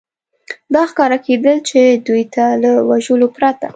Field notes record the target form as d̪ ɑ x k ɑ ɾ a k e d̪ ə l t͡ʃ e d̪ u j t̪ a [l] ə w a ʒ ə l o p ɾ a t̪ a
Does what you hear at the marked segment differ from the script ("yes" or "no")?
no